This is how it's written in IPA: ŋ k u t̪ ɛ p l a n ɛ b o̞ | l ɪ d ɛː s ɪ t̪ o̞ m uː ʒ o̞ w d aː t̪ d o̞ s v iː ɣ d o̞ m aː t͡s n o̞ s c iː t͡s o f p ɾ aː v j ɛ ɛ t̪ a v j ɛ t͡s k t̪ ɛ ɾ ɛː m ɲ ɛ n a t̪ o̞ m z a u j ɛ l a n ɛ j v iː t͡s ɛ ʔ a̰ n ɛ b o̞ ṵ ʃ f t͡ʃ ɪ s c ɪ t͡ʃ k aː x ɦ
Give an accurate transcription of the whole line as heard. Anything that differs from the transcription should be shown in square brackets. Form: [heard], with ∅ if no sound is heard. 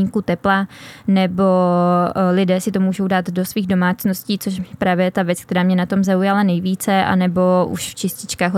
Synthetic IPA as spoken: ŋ k u t̪ ɛ p l a n ɛ b o̞ | l ɪ d ɛː s ɪ t̪ o̞ m uː ʒ o̞ w d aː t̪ d o̞ s v iː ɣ d o̞ m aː t͡s n o̞ s c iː t͡s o [ʃ] p ɾ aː v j ɛ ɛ t̪ a v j ɛ t͡s k t̪ ɛ ɾ [aː] m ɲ ɛ n a t̪ o̞ m z a u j [a] l a n ɛ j v iː t͡s ɛ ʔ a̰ n ɛ b o̞ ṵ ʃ f t͡ʃ ɪ s c ɪ t͡ʃ k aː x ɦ